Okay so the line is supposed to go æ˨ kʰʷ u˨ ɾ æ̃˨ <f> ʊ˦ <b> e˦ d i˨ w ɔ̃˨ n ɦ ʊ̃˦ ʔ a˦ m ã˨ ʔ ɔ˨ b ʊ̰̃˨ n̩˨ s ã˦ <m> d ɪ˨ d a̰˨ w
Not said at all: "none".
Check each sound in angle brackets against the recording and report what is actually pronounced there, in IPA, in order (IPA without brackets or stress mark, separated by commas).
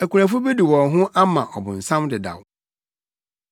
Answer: f, b, m